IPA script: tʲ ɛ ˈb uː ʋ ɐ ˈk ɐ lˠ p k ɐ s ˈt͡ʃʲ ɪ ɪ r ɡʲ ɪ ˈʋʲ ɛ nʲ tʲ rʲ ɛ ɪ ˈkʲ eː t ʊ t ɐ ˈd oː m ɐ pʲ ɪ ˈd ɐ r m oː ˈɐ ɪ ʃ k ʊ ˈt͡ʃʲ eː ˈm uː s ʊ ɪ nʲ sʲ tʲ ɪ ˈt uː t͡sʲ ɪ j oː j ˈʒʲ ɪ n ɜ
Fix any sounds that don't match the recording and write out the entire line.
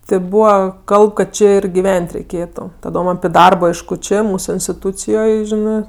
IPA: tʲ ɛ ˈb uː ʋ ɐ ˈk ɐ lˠ p k ɐ t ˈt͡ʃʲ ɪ ɪ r ɡʲ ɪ ˈʋʲ ɛ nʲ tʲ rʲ ɛ ɪ ˈkʲ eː t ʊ t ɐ ˈd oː m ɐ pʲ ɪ ˈd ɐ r b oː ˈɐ ɪ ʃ k ʊ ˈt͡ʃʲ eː ˈm uː s ʊ ɪ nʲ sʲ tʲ ɪ ˈt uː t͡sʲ ɪ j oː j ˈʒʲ ɪ n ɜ